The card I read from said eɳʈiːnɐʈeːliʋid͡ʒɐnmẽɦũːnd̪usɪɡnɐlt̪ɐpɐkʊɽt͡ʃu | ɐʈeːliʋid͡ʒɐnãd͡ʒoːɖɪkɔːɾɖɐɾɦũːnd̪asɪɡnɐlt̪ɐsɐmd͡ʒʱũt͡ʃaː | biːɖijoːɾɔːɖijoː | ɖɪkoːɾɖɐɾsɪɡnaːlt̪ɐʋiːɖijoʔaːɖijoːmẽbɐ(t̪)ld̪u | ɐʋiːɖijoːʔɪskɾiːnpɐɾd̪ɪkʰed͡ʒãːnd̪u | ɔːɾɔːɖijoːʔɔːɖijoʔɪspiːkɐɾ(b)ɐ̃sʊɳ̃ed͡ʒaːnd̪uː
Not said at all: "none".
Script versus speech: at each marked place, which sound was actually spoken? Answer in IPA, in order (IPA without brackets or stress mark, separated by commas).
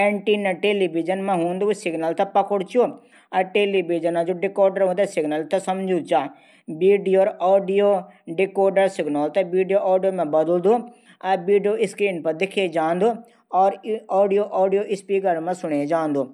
d̪, m